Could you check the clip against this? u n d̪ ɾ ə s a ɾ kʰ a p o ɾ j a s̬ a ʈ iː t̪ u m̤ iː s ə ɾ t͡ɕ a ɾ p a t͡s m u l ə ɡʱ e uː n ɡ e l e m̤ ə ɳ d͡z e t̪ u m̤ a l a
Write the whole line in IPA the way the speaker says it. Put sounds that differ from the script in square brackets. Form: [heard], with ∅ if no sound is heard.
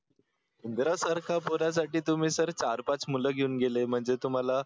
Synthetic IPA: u n d̪ ɾ [a] s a ɾ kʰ a p o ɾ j a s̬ a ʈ iː t̪ u m̤ iː s ə ɾ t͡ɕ a ɾ p a t͡s m u l ə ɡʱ e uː n ɡ e l e m̤ ə ɳ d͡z e t̪ u m̤ a l a